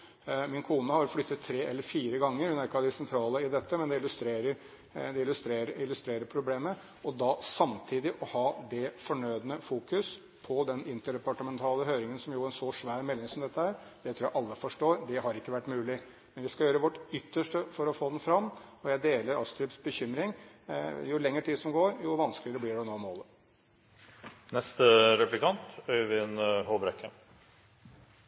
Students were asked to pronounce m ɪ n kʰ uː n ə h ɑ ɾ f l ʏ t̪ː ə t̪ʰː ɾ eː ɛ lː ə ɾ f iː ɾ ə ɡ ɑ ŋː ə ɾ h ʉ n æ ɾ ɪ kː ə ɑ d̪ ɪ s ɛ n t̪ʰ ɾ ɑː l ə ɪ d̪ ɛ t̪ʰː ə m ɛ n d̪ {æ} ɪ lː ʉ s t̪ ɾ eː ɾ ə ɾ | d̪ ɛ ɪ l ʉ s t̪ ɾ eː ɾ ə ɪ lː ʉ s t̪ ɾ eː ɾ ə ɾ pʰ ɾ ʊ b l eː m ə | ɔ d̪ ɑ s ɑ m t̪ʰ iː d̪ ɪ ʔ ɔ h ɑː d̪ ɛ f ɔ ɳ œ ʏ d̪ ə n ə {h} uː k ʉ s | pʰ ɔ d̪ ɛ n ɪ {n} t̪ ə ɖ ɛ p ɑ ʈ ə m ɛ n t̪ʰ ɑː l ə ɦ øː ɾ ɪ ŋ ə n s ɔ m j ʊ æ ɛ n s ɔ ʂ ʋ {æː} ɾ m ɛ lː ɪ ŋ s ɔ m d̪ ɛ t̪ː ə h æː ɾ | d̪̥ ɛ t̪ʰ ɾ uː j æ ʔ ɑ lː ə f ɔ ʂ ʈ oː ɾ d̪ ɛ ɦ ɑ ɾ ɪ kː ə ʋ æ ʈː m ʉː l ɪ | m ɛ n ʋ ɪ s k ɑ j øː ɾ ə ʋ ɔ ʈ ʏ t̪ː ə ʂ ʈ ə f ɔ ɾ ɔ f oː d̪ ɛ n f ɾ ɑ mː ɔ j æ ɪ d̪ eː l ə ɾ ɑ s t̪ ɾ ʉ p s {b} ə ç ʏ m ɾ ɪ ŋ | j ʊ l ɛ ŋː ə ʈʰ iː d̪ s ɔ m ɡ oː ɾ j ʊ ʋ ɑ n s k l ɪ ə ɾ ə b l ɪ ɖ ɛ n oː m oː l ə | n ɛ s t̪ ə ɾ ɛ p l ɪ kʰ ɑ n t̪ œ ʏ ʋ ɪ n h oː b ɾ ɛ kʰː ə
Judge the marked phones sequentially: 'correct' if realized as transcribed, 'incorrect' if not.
incorrect: ɛ, incorrect: f, correct, correct, correct

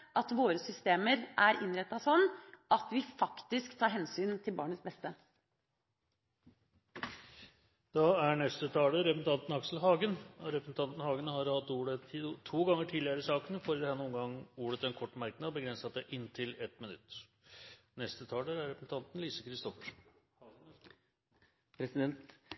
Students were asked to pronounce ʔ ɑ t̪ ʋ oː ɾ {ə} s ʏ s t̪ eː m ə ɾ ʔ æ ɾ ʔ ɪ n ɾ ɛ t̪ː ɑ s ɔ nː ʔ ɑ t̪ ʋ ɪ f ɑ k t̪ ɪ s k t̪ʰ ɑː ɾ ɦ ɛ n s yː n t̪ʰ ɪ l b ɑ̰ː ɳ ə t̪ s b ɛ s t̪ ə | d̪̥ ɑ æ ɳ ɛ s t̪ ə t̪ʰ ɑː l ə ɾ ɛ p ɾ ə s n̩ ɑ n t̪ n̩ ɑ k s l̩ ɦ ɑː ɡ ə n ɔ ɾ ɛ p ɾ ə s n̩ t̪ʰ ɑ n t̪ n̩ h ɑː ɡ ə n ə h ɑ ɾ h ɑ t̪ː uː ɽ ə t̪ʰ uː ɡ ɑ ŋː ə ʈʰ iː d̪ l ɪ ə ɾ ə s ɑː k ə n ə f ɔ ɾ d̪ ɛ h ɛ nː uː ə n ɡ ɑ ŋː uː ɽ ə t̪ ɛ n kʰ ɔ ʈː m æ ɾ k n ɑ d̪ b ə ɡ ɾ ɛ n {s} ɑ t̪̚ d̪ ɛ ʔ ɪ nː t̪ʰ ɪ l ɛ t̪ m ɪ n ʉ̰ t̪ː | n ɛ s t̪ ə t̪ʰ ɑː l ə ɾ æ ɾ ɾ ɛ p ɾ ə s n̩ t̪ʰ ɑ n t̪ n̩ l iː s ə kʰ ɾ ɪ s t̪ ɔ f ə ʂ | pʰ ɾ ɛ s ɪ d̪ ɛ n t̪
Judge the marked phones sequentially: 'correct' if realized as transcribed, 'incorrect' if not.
correct, correct

